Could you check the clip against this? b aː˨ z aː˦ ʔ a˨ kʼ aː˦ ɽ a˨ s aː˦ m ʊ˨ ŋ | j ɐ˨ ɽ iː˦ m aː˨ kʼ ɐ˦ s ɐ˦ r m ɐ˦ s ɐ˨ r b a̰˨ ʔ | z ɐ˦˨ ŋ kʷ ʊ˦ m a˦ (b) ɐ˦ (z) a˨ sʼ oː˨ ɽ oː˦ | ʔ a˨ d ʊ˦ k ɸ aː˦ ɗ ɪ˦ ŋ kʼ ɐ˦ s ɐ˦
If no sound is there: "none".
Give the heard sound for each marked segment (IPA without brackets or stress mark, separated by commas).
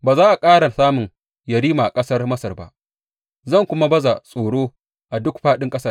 b, z